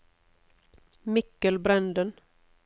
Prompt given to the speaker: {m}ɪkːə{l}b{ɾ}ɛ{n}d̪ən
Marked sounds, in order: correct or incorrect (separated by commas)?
correct, correct, correct, correct